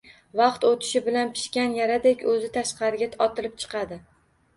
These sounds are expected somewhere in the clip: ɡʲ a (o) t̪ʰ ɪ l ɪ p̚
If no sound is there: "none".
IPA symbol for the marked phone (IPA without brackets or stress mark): ɒ